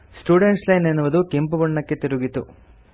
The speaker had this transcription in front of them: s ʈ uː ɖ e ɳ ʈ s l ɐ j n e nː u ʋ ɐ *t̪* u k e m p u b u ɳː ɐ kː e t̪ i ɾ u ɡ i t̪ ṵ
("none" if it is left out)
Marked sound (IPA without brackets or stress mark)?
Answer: d̪